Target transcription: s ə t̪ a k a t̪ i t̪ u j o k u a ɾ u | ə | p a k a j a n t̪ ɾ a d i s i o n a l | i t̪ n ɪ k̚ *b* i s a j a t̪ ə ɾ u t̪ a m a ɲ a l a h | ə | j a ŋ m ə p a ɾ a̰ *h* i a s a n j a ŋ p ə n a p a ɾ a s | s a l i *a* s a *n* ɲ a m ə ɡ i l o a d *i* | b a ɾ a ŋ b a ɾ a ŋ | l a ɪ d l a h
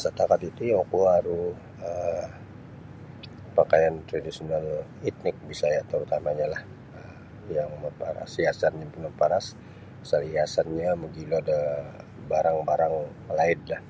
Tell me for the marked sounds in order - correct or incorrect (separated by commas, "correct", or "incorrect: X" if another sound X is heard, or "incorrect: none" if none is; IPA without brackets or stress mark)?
correct, incorrect: s, correct, correct, incorrect: a